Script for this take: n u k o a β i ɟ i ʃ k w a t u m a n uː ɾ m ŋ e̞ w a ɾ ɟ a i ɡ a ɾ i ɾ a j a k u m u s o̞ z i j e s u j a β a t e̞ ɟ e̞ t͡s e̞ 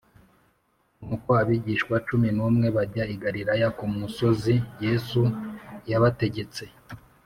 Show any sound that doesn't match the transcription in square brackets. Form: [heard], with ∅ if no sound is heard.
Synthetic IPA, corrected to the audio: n u k o a β i ɟ i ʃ k w a [t͡ʃ] u m [i] n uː [∅] m ŋ e̞ [β] a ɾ ɟ a i ɡ a ɾ i ɾ a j a k u m u s o̞ z i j e s u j a β a t e̞ ɟ e̞ t͡s e̞